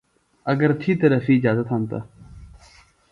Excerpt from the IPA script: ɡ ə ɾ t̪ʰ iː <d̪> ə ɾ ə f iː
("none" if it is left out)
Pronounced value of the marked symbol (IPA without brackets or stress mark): t̪